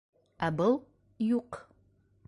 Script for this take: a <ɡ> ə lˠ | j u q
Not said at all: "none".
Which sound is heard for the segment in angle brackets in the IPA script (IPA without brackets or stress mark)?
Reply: b